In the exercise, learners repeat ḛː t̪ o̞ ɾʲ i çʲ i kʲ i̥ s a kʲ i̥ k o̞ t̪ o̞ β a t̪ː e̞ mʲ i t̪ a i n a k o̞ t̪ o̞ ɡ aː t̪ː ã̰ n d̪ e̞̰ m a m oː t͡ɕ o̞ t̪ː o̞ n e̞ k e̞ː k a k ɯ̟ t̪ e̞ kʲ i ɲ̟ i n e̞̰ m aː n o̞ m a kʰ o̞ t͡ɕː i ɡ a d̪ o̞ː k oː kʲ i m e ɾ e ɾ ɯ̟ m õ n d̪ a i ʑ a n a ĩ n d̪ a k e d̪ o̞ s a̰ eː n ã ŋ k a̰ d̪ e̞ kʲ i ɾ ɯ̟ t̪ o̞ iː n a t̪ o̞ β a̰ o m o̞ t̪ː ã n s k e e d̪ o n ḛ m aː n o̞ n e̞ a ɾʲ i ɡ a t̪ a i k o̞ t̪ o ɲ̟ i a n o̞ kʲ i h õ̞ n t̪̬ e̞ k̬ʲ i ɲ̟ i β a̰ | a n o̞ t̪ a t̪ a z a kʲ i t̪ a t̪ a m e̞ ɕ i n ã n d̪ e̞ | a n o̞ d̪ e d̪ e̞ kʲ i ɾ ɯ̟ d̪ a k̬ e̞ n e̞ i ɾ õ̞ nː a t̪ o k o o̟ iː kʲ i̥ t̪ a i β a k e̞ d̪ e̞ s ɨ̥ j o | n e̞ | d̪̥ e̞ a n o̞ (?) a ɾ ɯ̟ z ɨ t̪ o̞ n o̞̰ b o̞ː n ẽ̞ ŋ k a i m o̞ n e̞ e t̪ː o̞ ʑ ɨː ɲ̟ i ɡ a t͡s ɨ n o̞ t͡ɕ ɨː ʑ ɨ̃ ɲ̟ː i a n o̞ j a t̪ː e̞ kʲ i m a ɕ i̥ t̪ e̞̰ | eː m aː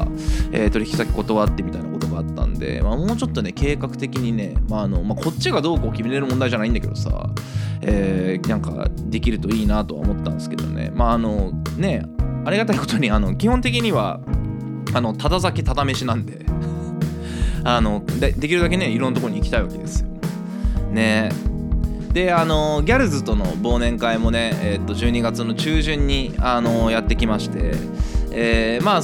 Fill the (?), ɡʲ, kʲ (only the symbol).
ɡʲ